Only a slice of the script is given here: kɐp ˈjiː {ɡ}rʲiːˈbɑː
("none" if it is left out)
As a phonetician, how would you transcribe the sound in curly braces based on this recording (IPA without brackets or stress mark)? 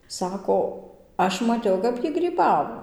ɡ